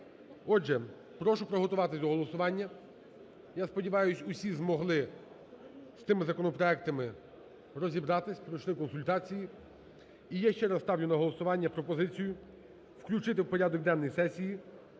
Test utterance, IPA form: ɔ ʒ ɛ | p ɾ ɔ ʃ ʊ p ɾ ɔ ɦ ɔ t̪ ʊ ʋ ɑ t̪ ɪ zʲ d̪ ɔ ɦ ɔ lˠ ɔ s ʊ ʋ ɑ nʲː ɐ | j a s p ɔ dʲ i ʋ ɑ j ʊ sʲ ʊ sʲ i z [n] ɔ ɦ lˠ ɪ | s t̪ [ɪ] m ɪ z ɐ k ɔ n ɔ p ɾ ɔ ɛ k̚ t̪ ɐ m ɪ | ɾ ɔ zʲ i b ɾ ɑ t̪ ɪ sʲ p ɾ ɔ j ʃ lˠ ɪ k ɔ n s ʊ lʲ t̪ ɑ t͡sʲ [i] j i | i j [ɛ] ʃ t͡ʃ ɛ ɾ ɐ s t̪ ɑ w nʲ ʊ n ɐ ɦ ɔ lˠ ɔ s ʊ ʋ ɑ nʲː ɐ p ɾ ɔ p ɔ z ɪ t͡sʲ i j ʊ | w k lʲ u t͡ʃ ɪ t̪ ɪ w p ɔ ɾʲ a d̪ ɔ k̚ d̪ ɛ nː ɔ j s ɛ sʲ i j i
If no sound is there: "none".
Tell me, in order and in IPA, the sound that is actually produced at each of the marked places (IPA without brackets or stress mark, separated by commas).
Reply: m, ɪ, i, a